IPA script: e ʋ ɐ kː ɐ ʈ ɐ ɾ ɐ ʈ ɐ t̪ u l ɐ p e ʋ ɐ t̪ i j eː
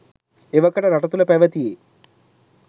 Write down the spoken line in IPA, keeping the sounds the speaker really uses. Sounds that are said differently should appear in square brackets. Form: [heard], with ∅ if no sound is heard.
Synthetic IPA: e ʋ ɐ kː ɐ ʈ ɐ ɾ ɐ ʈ ɐ t̪ u l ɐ p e ʋ ɐ t̪ i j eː